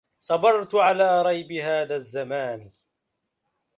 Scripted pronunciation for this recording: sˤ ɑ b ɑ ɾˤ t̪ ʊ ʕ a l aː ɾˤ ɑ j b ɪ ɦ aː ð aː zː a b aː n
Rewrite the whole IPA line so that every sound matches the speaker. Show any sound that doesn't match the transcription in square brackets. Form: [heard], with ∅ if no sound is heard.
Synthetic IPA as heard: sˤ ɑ b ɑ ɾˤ t̪ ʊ ʕ a l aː ɾˤ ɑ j b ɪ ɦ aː ð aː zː a [m] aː n